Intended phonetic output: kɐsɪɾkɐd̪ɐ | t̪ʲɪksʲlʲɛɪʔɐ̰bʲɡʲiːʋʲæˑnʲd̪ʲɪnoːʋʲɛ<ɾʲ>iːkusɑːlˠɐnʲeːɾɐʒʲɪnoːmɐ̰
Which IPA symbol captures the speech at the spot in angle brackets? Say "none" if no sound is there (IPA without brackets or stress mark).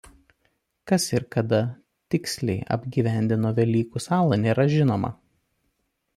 lʲ